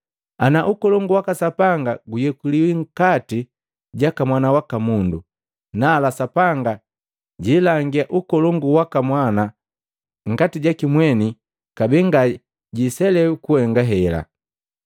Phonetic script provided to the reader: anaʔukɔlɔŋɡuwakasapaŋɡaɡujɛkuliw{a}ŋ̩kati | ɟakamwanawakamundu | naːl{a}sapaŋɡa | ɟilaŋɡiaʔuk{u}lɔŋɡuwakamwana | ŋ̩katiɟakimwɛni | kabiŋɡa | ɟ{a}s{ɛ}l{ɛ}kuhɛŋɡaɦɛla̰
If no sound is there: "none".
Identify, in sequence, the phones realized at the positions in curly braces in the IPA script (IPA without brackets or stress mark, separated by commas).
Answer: i, a, ɔ, i, ɛ, ɛ